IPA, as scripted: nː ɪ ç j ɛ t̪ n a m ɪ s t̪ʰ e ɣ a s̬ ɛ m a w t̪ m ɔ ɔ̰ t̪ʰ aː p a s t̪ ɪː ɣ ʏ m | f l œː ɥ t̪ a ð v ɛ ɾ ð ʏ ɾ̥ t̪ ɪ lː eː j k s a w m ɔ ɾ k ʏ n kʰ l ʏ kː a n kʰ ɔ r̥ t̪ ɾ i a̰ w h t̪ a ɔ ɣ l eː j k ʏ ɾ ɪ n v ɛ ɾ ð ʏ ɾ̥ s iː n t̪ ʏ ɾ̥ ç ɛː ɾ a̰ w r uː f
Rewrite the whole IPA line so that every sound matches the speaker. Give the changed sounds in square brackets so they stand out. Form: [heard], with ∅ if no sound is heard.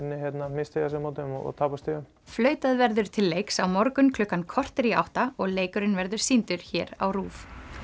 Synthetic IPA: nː ɪ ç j ɛ t̪ n a m ɪ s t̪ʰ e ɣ a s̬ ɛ m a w t̪ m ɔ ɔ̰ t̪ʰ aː p a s t̪ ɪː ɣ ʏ m | f l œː ɥ t̪ a ð v ɛ ɾ ð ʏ ɾ̥ [t̪ʰ] ɪ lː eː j k s a w m ɔ ɾ k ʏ n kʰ l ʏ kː a n kʰ ɔ r̥ t̪ ɾ i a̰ w h t̪ a ɔ ɣ l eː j k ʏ ɾ ɪ n v ɛ ɾ ð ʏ ɾ̥ s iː n t̪ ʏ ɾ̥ ç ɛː ɾ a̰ w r uː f

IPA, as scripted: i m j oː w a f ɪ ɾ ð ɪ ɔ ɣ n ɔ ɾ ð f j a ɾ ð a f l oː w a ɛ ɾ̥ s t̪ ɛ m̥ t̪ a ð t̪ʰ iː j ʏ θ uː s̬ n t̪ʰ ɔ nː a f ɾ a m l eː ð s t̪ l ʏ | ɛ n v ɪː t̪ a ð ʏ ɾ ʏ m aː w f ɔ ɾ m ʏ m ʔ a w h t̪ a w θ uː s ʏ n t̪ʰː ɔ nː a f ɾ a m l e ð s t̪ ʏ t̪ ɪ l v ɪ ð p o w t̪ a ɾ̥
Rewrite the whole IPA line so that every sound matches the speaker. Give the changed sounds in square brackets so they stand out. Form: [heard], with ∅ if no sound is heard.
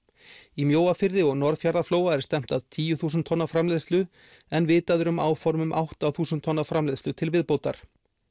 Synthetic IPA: i m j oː w a f ɪ ɾ ð ɪ ɔ ɣ n ɔ ɾ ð f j a ɾ ð a f l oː w a ɛ ɾ̥ s t̪ ɛ m̥ t̪ a ð t̪ʰ iː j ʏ θ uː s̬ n t̪ʰ ɔ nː a f ɾ a m l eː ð s t̪ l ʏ | ɛ n v ɪː t̪ a ð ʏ ɾ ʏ m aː w f ɔ ɾ m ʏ m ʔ a w h t̪ a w θ uː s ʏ n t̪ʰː ɔ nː a f ɾ a m l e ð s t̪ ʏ [t̪ʰ] ɪ l v ɪ ð p o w t̪ a ɾ̥

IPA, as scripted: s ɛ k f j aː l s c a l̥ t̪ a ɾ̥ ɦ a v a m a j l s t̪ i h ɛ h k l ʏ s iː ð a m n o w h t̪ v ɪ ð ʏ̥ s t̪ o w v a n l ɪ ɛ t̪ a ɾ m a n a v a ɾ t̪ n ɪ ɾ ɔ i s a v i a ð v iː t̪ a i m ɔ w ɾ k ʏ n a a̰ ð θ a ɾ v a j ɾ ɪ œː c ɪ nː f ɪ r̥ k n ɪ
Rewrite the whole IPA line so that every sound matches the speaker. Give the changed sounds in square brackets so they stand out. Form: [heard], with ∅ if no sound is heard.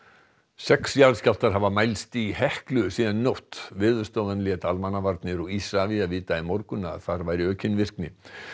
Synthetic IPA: s ɛ k [s] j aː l s c a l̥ t̪ a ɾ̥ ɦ a v a m a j l s t̪ i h ɛ h k l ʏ s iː ð a [n] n o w h t̪ v ɪ ð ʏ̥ s t̪ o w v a n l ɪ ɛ t̪ a [l] m a n a v a ɾ t̪ n ɪ ɾ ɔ i s a v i a ð v iː t̪ a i m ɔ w ɾ k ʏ n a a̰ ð θ a ɾ v a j ɾ ɪ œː c ɪ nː [v] ɪ r̥ k n ɪ

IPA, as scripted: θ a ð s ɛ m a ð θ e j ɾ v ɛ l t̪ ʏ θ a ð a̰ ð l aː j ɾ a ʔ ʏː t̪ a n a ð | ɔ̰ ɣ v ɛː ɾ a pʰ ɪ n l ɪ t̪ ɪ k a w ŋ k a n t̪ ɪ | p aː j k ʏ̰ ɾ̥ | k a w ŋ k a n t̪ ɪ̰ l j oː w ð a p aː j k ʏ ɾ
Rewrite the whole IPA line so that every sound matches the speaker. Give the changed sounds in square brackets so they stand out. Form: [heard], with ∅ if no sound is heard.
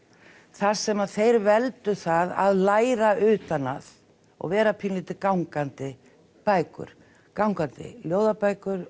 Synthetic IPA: θ a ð s ɛ m a ð θ e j ɾ v ɛ l t̪ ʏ θ a ð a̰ ð l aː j ɾ a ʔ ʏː t̪ a n a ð | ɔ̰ ɣ v ɛː ɾ a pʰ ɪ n l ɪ t̪ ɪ k a w ŋ k a n t̪ ɪ | p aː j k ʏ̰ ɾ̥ | k a w ŋ k a n t̪ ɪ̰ l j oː w ð a p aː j k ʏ ɾ

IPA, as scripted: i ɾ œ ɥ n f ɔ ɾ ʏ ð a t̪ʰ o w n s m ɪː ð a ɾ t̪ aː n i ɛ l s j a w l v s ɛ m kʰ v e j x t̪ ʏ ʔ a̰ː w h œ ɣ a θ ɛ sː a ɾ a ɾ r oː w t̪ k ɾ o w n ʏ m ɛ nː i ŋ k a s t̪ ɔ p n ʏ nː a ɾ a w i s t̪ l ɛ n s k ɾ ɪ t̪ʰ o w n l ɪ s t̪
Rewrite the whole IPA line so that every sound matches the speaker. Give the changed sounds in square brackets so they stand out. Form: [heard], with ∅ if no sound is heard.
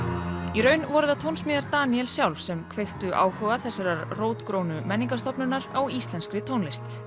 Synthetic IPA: i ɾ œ ɥ n [v] ɔ ɾ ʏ ð a t̪ʰ o w n s m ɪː ð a ɾ t̪ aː n i ɛ l s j a w l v s ɛ m kʰ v e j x t̪ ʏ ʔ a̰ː w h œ ɣ a θ ɛ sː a ɾ a ɾ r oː w t̪ k ɾ o w n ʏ m ɛ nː i ŋ k a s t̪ ɔ p n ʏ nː a ɾ a w i s t̪ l ɛ n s k ɾ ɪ t̪ʰ o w n l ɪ s t̪

